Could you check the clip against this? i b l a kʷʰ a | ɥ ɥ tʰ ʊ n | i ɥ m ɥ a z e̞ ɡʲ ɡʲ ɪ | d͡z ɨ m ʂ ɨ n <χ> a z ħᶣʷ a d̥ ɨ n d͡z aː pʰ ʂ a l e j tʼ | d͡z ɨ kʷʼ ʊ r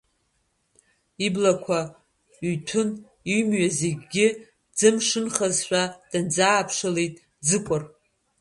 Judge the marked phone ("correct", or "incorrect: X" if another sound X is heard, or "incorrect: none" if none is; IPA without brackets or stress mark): correct